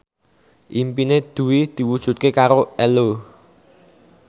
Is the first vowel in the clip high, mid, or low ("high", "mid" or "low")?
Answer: high